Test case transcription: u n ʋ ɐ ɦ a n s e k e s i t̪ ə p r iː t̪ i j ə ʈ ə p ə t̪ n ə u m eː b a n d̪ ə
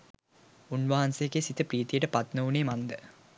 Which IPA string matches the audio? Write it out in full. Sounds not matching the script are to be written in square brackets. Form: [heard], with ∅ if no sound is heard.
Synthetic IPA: u n ʋ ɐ ɦ a n s e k e s i t̪ ə p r iː t̪ i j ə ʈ ə p [a] t̪ n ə u [n] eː [m] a n d̪ ə

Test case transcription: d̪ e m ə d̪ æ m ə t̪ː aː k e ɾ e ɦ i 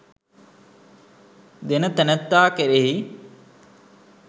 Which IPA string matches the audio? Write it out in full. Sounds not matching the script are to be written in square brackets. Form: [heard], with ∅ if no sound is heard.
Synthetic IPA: d̪ e [n] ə [t̪] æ [n] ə t̪ː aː k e ɾ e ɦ i

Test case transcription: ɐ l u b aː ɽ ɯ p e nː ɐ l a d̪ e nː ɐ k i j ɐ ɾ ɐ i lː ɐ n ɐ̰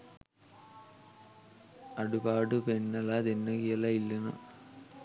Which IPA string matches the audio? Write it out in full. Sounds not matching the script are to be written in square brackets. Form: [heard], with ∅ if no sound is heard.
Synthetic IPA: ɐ [ɽ] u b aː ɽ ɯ p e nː ɐ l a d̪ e nː ɐ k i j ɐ [l] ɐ i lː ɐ n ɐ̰

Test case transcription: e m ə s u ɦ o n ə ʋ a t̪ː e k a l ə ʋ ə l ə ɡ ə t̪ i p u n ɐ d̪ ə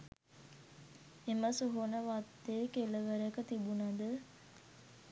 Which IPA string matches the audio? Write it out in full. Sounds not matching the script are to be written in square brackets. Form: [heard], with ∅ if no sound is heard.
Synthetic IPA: e m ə s u ɦ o n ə ʋ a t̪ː e k [e] l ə ʋ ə [ɾ] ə [k] ə t̪ i [b] u n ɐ d̪ ə

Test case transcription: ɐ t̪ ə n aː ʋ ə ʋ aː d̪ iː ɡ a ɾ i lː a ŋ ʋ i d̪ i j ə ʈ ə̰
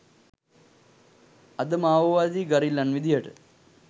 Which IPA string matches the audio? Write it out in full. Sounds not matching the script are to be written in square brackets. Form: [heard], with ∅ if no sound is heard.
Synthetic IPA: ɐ [d̪] ə [m] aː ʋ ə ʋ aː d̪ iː ɡ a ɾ i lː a [n] ʋ i d̪ i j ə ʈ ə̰

